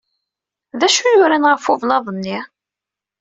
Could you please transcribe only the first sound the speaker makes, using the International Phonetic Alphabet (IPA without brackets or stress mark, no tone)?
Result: ð